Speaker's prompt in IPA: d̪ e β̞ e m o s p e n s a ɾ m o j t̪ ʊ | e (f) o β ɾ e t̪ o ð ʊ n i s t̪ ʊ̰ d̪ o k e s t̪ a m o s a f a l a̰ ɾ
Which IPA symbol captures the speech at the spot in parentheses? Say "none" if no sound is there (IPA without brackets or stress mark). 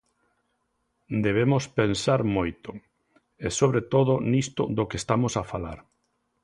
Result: s